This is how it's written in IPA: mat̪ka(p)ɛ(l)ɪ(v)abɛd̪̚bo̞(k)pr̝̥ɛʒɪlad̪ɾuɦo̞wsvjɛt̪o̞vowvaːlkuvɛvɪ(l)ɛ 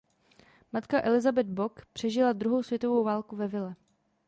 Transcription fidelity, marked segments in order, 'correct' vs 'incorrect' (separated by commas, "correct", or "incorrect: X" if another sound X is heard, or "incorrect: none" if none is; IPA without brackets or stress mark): incorrect: ʔ, correct, incorrect: z, correct, correct